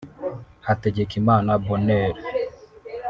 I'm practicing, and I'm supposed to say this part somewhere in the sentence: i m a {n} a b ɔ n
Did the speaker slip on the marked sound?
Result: no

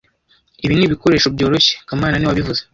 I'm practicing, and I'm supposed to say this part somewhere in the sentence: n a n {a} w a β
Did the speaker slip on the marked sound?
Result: yes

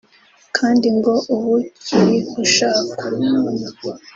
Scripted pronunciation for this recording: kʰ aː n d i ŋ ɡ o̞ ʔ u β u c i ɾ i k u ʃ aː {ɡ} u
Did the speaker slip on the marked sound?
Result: yes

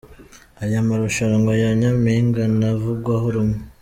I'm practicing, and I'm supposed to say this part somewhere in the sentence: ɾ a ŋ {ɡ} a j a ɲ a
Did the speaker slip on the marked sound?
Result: no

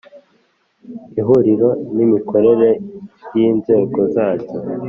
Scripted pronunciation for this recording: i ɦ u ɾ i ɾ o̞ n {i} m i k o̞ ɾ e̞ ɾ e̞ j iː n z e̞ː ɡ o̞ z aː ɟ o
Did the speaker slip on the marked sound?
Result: no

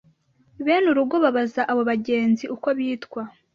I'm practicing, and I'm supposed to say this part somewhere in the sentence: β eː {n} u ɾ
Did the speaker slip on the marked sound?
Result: no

